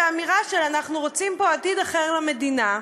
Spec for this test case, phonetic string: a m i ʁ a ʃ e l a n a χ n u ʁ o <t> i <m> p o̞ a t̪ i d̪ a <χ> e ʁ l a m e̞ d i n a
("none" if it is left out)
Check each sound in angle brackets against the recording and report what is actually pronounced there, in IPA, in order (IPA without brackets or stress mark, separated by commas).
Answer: t͡s, m, χ